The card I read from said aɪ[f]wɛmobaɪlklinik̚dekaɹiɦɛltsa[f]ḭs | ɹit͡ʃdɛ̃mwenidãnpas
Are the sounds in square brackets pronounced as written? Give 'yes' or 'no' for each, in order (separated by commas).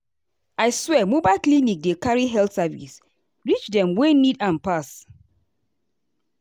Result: no, no